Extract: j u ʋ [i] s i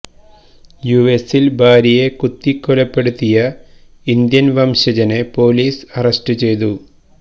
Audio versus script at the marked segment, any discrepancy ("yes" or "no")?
yes